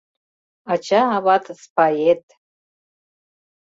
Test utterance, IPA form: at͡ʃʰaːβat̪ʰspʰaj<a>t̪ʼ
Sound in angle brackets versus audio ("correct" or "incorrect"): incorrect